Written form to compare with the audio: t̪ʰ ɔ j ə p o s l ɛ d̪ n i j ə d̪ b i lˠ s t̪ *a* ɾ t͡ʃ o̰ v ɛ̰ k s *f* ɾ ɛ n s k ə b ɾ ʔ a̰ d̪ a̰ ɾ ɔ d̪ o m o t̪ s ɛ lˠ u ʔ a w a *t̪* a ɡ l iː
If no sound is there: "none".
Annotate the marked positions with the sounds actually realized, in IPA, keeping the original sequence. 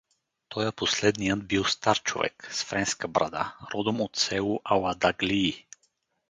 a, f, d̪

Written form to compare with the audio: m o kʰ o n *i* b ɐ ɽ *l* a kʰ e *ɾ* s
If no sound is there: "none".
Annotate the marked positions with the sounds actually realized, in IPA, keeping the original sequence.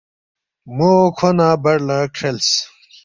a, l, l

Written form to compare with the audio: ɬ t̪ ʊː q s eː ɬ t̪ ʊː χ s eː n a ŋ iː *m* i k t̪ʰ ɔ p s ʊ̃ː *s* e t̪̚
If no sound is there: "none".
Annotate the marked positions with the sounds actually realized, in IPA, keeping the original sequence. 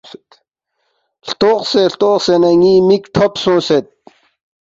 m, s

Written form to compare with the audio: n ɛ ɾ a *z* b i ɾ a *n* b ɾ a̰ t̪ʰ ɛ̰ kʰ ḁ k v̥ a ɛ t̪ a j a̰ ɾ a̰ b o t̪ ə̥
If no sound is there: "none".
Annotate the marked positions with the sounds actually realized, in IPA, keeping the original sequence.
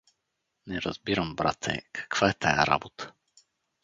z, m

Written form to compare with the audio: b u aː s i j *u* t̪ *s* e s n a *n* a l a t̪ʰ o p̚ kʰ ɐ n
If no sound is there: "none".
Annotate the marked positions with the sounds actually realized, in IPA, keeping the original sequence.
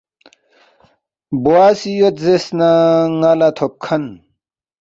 o, z, ŋ

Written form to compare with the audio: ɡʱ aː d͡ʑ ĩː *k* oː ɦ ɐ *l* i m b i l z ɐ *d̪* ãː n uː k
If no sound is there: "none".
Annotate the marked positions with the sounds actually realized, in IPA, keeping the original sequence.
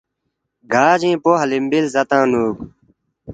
p, l, t̪

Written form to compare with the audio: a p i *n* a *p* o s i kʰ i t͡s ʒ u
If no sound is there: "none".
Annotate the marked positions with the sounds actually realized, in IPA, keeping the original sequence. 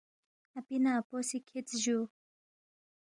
n, p

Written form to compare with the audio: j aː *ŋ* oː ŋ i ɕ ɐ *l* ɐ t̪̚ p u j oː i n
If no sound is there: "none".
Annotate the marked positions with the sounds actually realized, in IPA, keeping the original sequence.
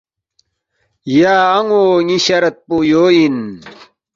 ŋ, ɾ

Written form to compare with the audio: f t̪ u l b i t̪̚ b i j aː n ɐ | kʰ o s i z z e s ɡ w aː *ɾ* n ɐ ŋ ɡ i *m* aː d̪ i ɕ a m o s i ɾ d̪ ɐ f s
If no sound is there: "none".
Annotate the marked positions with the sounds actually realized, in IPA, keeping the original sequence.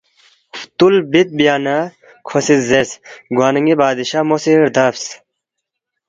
none, b

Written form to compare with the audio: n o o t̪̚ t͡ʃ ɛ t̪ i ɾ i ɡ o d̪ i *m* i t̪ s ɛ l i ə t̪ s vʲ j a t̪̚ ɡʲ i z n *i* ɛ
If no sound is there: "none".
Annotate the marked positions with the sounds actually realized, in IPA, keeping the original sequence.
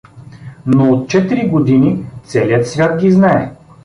n, a

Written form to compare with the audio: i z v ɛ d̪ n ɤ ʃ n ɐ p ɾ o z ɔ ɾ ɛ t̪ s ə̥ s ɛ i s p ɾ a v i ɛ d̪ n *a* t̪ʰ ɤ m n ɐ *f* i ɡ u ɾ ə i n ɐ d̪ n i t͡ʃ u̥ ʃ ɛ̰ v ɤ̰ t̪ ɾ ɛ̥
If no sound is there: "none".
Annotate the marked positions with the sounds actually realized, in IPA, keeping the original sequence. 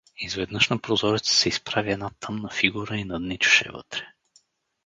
a, f

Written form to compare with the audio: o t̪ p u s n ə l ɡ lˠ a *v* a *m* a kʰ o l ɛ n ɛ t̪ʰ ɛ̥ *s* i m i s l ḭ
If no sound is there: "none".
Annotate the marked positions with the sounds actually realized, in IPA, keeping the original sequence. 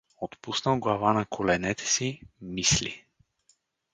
v, n, s

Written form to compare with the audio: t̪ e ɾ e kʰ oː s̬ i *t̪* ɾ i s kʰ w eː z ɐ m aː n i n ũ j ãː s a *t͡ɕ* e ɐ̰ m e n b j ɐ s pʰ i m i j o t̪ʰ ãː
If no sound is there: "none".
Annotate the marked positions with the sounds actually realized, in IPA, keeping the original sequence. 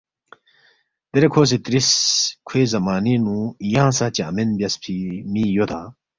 t̪, t͡ɕ

